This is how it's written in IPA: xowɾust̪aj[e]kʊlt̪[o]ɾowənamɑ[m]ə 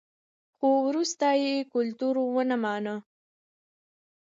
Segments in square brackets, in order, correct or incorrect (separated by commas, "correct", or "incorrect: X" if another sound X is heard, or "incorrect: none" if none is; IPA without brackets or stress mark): correct, incorrect: u, incorrect: n